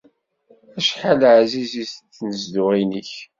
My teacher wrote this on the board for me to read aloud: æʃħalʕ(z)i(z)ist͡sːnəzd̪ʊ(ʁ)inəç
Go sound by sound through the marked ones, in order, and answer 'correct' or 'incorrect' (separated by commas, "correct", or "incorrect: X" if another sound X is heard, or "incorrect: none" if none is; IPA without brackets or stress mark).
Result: correct, correct, correct